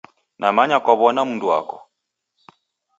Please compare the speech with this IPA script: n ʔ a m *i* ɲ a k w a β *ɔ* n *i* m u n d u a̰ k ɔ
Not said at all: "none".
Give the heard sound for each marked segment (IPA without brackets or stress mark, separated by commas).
a, ɔ, a